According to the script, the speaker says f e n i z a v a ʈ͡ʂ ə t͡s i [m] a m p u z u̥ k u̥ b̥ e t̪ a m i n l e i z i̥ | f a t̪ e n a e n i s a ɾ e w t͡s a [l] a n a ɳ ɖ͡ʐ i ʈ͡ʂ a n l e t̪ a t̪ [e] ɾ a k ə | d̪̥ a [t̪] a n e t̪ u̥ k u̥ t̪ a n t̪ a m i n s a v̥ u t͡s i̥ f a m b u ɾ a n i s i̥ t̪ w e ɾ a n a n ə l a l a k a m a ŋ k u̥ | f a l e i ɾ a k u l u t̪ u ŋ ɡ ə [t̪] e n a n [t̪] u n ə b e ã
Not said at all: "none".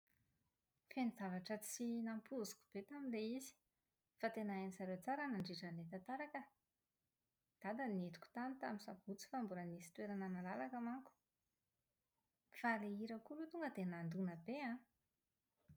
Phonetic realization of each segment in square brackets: n, ɾ, a, d̪, d̪, d̪

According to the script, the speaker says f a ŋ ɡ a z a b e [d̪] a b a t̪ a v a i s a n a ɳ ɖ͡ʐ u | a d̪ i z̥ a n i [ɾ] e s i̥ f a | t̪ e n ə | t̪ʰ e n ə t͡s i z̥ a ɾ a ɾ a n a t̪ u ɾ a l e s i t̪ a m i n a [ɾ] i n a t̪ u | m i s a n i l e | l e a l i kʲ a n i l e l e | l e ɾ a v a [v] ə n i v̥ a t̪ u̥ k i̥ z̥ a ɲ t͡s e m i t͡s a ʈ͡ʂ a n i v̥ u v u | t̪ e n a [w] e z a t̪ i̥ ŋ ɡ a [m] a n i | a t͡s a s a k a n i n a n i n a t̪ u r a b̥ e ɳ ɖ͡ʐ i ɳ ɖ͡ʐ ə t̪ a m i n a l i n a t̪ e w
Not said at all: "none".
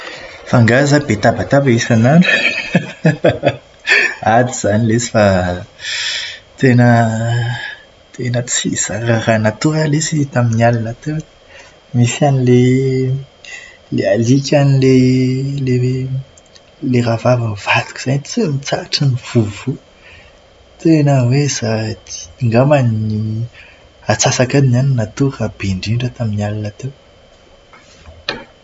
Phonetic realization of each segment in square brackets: t̪, l, l, v, w, m

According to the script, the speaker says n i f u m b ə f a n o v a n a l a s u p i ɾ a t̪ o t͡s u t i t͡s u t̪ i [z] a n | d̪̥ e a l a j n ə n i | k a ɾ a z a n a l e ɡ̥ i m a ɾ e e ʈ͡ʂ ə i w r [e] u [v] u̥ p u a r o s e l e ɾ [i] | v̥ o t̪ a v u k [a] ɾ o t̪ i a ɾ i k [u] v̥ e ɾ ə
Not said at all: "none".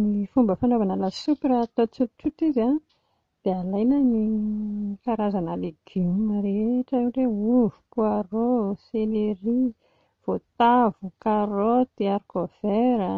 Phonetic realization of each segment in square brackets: z, e, v, i, a, o

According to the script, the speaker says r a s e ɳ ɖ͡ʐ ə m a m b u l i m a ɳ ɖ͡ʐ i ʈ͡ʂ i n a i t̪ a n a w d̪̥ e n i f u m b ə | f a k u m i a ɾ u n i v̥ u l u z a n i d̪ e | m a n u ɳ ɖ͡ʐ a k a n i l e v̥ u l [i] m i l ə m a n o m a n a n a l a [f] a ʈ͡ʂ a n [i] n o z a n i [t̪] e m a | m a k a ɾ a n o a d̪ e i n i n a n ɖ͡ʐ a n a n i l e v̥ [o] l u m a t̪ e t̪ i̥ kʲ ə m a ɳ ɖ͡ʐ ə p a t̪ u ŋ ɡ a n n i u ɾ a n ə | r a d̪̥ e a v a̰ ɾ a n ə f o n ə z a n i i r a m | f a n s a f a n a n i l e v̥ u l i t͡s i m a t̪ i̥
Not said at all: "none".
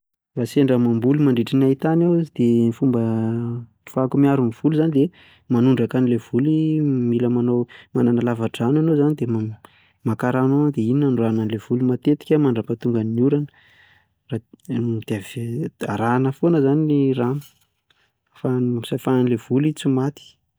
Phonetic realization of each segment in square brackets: i, v, a, d̪, u

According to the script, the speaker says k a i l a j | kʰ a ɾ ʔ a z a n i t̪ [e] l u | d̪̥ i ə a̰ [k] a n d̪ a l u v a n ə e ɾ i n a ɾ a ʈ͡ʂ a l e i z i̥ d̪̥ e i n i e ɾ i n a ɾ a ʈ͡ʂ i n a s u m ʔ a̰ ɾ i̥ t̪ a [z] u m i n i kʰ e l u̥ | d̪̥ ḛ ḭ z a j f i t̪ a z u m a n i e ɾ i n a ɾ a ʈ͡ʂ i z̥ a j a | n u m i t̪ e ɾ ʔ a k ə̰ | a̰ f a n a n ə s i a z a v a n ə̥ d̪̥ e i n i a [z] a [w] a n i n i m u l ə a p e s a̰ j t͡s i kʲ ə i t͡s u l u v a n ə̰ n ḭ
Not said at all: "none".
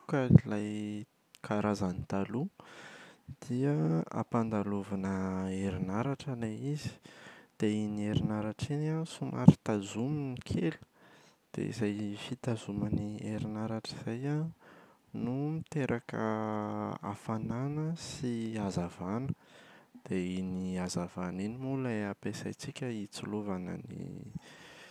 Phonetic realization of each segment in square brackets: a, p, z, z, v

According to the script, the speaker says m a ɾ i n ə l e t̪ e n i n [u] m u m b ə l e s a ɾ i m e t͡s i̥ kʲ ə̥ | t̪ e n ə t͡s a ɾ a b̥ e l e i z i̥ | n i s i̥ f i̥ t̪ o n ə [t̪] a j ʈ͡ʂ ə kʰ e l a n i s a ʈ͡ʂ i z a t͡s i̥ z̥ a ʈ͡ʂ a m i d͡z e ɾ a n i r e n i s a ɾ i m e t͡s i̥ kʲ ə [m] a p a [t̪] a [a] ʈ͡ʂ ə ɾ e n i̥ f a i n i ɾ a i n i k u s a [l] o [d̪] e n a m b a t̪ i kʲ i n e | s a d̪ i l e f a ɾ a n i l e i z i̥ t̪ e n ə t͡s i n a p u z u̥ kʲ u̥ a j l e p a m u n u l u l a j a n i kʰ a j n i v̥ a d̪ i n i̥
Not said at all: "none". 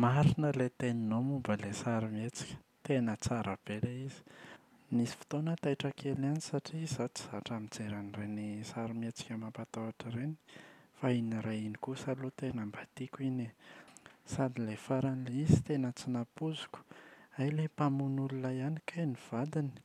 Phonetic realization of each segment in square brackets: o, t̪, m, t̪, a, l, t̪

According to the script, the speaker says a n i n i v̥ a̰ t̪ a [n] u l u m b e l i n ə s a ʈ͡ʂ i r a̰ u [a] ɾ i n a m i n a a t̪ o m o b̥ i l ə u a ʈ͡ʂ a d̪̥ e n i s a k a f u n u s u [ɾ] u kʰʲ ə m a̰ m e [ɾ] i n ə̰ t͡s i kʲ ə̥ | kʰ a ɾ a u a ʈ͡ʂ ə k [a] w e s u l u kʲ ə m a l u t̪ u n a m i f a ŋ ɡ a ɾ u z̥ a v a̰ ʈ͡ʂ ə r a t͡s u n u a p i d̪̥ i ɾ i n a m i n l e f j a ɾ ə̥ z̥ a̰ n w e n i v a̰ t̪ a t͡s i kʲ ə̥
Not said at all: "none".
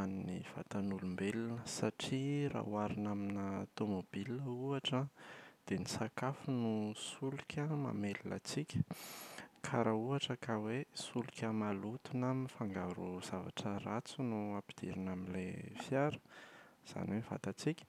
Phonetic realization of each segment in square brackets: n, a, l, l, a

